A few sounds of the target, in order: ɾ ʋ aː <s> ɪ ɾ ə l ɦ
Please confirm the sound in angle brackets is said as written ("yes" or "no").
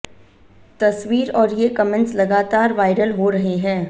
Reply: no